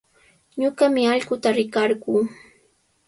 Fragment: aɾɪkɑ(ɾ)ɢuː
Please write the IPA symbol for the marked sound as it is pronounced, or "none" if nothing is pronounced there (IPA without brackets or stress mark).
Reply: ɾ